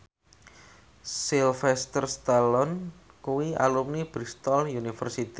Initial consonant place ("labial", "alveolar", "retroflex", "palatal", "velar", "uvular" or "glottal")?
alveolar